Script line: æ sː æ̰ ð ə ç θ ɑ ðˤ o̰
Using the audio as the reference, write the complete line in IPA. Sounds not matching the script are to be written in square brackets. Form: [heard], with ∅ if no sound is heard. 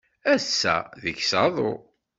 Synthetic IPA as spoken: æ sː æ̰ ð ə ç [s] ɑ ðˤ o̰